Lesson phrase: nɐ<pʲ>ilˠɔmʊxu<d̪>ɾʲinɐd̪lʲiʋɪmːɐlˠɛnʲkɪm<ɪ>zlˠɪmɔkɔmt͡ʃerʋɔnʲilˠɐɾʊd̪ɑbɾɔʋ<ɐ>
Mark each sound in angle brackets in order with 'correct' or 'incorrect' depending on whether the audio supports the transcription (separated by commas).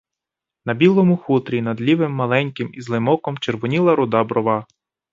incorrect, incorrect, incorrect, incorrect